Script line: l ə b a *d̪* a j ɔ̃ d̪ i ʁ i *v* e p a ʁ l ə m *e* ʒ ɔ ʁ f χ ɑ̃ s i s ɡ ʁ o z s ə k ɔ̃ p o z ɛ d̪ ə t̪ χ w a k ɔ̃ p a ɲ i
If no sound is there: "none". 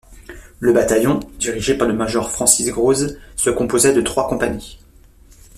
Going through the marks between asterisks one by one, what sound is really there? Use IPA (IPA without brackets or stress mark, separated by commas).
t̪, ʒ, a